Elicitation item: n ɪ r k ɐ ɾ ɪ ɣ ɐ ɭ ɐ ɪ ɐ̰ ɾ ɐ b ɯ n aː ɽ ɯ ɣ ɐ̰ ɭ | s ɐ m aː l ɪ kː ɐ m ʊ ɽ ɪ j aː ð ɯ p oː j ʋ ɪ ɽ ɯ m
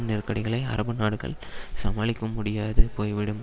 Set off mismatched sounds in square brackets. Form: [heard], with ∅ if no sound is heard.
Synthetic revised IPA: n ɪ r k ɐ [ɽ] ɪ ɣ ɐ ɭ ɐ ɪ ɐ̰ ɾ ɐ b ɯ n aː ɽ ɯ ɣ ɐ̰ ɭ | s ɐ m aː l ɪ kː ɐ m ʊ ɽ ɪ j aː ð ɯ p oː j ʋ ɪ ɽ ɯ m